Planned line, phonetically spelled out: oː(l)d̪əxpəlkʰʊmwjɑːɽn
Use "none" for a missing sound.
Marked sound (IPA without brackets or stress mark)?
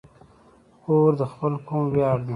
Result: ɾ